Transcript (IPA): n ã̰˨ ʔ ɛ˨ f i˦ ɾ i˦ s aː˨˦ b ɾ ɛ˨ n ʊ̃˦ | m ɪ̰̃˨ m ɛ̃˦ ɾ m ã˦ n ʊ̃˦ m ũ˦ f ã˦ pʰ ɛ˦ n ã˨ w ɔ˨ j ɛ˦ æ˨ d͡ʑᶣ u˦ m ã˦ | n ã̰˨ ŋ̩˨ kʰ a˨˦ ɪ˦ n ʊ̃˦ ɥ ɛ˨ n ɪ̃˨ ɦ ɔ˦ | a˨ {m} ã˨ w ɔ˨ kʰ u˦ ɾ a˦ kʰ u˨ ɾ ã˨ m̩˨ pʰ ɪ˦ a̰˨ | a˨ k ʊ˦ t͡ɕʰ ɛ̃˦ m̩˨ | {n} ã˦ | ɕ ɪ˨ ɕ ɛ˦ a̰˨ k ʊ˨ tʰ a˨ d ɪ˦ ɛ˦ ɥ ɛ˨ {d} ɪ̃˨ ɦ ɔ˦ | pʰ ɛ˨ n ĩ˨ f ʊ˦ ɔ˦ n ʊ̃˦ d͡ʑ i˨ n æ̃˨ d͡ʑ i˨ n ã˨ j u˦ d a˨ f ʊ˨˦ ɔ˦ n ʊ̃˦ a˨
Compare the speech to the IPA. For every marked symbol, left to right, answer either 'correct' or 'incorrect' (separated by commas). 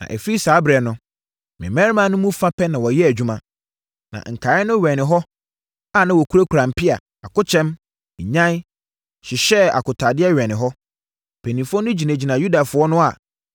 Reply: incorrect, incorrect, incorrect